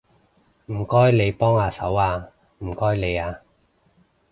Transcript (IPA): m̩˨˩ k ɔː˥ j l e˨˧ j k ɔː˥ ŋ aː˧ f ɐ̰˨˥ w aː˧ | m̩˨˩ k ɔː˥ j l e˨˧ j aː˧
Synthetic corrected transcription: m̩˨˩ k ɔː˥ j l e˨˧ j p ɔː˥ ŋ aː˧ s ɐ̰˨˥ w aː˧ | m̩˨˩ k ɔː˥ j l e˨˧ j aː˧

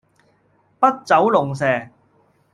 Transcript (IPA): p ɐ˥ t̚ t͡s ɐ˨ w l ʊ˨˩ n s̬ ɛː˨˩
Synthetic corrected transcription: p ɐ˥ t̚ t͡s ɐ˨˥ w l ʊ˨˩ ŋ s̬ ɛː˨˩

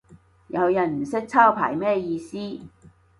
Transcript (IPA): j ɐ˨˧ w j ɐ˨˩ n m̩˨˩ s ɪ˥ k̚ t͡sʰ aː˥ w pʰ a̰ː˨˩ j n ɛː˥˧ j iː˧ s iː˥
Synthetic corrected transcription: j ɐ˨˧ w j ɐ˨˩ n m̩˨˩ s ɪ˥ k̚ t͡sʰ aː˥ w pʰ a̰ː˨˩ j m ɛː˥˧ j iː˧ s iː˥

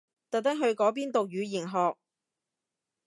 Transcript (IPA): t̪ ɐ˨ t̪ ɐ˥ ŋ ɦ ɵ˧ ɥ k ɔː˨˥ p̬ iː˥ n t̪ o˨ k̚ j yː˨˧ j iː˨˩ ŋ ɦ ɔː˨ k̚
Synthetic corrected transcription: t̪ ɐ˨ t̪ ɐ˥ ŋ ɦ ɵ˧ ɥ k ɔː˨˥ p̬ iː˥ n t̪ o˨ k̚ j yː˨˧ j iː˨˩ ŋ ɦ ɔː˨ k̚

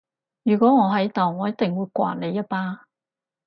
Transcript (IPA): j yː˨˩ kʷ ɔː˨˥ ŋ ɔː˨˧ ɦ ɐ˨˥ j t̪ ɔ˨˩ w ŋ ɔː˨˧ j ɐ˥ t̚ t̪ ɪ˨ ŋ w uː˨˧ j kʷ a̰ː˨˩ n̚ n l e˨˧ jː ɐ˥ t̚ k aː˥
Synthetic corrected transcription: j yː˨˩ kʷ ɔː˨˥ ŋ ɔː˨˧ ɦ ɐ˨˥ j t̪ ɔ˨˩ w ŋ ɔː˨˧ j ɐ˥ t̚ t̪ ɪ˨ ŋ w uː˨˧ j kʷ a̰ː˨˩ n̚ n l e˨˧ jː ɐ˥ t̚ p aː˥

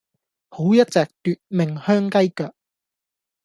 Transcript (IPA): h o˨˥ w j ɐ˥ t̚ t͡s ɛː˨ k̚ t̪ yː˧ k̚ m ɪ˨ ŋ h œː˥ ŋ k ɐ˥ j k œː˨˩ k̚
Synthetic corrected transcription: h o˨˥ w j ɐ˥ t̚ t͡s ɛː˨ k̚ t̪ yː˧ t̚ m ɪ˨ ŋ h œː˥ ŋ k ɐ˥ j k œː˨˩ k̚

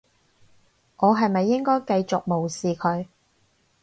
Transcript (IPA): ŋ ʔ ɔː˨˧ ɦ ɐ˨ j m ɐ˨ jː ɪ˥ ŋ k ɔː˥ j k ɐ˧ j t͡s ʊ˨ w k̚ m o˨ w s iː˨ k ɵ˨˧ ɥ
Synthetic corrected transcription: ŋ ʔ ɔː˨˧ ɦ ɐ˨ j m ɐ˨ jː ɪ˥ ŋ k ɔː˥ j k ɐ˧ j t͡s ʊ˨ k̚ m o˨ w s iː˨ kʰ ɵ˨˧ ɥ

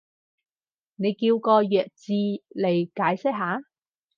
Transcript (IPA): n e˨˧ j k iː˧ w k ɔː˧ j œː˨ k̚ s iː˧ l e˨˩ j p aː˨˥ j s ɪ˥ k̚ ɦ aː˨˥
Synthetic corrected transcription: n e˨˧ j k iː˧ w k ɔː˧ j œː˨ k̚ t͡s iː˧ l e˨˩ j k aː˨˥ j s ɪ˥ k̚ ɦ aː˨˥

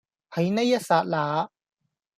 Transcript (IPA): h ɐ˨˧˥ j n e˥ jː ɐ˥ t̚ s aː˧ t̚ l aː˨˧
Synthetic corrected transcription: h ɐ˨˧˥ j n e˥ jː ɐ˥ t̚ s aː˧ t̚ l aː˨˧

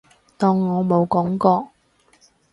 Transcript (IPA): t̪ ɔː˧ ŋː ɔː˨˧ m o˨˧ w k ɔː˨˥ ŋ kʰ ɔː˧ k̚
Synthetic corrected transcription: t̪ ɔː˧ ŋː ɔː˨˧ m o˨˧ w k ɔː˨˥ ŋ k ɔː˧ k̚

